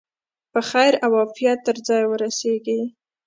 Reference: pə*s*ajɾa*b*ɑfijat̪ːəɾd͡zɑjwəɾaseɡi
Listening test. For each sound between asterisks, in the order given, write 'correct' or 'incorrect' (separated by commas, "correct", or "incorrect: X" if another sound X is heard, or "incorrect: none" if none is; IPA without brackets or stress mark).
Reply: incorrect: x, incorrect: w